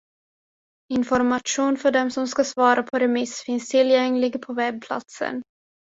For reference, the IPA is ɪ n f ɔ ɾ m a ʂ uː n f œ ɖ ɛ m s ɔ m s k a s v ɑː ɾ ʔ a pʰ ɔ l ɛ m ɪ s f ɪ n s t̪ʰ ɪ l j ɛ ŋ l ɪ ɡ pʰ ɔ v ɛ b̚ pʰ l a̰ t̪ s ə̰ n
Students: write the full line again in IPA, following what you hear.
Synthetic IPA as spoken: ɪ n f ɔ ɾ m a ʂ uː n f œ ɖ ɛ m s ɔ m s k a s v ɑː ɾ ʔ a pʰ ɔ ɾ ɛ m ɪ s f ɪ n s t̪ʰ ɪ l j ɛ ŋ l ɪ ɡ pʰ ɔ v ɛ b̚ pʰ l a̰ t̪ s ə̰ n